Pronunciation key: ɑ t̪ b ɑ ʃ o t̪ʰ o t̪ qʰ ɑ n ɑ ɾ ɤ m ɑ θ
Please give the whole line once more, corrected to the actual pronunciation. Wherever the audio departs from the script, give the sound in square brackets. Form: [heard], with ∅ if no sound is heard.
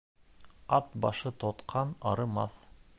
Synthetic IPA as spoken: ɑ t̪ b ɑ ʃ [ɤ] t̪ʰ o t̪ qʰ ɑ n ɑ ɾ ɤ m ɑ θ